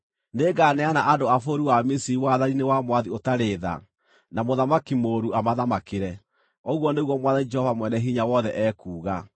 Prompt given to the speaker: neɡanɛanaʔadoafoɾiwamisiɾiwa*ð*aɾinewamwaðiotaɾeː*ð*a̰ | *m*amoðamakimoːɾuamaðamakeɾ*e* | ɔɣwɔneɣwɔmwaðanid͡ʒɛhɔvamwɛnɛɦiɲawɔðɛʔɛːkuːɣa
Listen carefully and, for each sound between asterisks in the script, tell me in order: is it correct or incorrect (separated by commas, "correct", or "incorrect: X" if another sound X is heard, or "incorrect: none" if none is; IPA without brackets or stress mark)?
correct, correct, incorrect: n, incorrect: ɛ